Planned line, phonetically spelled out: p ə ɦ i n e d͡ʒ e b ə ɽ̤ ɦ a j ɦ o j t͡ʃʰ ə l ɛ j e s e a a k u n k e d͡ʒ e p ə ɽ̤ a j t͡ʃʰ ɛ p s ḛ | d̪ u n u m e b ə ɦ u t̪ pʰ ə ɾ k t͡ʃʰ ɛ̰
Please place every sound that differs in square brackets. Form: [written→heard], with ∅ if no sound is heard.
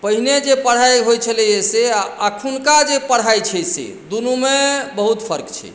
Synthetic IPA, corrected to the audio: p ə ɦ i n e d͡ʒ e [b→p] ə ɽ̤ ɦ a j ɦ o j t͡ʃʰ ə l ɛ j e s e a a [k→kʰ] u n k [e→a] d͡ʒ e p ə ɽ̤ a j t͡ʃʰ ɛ [p→∅] s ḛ | d̪ u n u m e b ə ɦ u t̪ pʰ ə ɾ k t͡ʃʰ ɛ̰